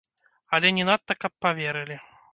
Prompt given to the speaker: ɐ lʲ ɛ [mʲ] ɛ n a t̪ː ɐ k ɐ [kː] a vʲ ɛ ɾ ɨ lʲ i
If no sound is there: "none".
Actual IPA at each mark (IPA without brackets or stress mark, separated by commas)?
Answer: nʲ, pː